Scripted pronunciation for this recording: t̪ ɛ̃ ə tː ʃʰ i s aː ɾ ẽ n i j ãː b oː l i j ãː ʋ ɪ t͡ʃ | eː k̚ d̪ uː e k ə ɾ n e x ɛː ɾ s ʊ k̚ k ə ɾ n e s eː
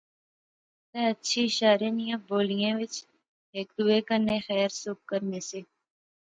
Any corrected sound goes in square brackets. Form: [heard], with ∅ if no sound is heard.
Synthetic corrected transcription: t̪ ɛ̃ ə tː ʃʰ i [ʃ] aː ɾ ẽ n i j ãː b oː l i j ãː ʋ ɪ t͡ʃ | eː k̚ d̪ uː e k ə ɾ n e x ɛː ɾ s ʊ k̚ k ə ɾ n e s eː